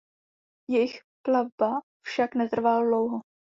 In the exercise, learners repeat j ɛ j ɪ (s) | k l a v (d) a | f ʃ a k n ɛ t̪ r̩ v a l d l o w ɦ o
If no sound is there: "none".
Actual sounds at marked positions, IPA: x, b

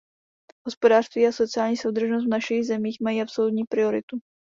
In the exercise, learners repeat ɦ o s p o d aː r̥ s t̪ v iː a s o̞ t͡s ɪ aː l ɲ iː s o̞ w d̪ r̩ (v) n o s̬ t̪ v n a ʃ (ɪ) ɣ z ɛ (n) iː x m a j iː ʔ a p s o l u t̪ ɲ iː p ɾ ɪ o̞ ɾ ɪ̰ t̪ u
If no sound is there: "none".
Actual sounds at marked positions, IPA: ʒ, i, m

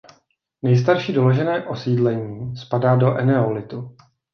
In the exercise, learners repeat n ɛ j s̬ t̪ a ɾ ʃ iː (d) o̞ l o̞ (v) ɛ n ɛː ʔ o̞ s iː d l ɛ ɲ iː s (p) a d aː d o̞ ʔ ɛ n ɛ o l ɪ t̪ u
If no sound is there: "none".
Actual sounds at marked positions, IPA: d, ʒ, p

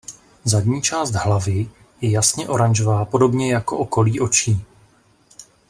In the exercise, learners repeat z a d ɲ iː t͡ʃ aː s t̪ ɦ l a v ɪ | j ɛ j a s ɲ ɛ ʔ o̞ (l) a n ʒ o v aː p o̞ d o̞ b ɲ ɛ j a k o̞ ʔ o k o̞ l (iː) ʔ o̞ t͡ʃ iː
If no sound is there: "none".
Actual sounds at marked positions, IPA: ɾ, iː

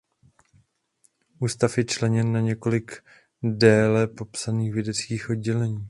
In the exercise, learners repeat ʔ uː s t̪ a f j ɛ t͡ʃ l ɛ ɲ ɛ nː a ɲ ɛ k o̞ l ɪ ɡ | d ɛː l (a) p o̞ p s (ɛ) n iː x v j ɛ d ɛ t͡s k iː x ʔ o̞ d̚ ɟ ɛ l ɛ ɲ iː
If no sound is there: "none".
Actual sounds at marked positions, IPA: ɛ, a

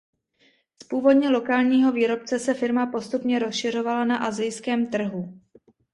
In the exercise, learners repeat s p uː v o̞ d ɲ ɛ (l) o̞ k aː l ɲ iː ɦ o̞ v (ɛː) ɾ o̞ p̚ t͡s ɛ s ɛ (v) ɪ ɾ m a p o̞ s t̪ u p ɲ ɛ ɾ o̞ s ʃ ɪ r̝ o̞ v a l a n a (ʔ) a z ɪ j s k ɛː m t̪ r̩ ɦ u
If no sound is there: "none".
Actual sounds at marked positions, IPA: l, iː, f, ʔ

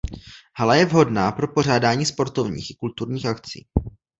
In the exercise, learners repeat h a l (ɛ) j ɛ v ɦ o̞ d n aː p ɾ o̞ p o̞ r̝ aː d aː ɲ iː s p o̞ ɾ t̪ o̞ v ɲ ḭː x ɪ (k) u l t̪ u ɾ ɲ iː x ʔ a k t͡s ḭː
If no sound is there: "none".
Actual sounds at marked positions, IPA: a, k

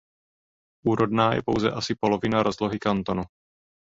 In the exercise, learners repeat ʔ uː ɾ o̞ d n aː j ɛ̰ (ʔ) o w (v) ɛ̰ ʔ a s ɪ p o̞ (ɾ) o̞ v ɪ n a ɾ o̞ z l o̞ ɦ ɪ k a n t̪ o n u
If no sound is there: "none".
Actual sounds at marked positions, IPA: p, z, l

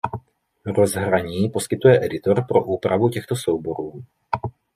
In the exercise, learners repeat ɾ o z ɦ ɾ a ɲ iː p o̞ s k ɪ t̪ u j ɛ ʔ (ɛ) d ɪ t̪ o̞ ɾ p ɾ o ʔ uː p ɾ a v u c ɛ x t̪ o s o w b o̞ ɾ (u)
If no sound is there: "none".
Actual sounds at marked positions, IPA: ɛ, uː

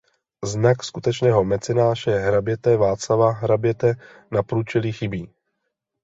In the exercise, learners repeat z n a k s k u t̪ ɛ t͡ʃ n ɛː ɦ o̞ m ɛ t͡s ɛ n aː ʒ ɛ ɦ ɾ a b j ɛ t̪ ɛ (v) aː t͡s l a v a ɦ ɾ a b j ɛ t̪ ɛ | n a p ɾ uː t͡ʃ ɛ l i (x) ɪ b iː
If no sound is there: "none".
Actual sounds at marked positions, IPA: v, x

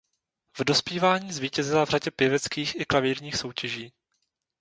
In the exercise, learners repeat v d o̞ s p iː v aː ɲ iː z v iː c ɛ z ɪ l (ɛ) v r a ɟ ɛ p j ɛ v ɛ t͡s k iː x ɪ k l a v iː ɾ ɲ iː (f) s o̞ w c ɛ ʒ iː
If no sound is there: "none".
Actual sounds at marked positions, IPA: a, x

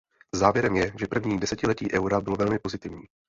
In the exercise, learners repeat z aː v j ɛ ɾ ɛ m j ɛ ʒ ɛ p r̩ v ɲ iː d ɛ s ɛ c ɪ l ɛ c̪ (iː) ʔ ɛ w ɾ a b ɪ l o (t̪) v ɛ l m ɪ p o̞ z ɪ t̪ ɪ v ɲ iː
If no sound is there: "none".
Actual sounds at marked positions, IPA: iː, none

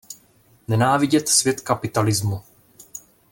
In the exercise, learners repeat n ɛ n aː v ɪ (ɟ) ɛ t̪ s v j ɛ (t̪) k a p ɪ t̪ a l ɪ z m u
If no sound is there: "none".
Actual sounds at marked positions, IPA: ɟ, t̪

